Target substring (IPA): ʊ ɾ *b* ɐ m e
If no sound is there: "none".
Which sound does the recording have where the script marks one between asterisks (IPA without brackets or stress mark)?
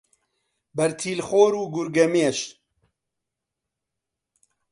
ɡ